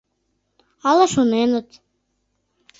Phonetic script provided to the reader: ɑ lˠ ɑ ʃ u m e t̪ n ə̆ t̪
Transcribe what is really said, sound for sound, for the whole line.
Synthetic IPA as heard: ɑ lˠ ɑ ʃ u n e n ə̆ t̪